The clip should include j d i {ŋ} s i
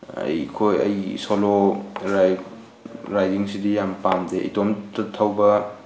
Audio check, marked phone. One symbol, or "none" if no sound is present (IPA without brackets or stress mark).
ŋ